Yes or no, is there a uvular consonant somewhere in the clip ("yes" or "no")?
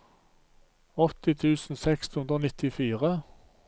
yes